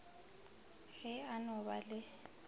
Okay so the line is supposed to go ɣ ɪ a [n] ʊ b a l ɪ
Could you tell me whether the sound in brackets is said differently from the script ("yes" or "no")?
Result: no